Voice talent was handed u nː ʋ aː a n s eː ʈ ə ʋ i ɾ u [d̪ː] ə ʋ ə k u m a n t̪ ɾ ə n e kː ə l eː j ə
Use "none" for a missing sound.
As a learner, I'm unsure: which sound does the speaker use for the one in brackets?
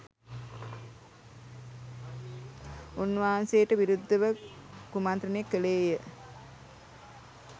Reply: d̪ː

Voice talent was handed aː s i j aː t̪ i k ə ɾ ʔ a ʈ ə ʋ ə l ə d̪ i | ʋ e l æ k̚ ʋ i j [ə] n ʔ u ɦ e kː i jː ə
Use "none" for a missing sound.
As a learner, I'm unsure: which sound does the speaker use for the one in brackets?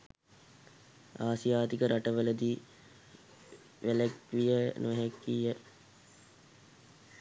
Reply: ə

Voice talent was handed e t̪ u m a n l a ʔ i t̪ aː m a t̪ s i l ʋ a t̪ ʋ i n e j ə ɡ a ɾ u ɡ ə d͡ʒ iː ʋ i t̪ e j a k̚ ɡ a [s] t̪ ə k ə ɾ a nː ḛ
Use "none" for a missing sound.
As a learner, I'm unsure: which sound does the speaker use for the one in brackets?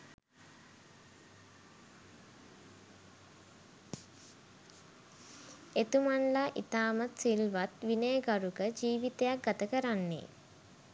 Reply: none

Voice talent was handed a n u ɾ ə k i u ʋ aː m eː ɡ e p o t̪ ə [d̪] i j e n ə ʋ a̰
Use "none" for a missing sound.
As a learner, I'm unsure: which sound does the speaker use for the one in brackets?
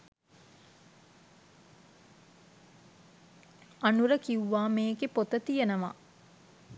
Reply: t̪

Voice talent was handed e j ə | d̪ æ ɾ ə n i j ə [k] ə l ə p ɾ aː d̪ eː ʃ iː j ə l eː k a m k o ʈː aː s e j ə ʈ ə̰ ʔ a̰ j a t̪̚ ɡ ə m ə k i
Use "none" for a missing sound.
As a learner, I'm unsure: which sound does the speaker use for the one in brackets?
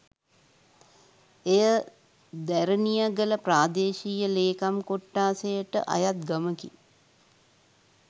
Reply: ɡ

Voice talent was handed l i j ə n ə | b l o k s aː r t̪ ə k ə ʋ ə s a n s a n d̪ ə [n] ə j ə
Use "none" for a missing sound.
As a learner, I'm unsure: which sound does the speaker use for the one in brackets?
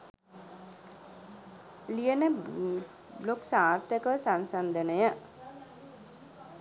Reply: n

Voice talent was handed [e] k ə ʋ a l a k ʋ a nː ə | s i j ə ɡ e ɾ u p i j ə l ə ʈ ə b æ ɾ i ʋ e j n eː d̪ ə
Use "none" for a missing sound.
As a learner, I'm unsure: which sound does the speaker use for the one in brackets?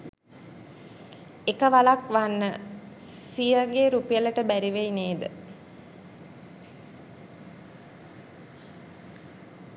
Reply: e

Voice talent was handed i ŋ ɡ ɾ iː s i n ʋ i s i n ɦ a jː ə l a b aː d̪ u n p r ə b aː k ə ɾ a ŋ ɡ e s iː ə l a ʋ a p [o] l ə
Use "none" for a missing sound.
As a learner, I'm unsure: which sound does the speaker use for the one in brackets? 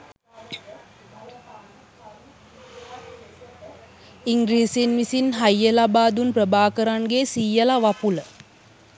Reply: u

